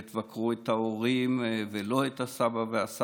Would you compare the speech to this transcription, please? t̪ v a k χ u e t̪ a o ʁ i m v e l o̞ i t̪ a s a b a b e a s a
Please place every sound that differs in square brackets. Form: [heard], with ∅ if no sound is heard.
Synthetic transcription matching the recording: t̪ v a k [ʁ] u e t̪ a o ʁ i m v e l o̞ [e] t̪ a s a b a [v] e a s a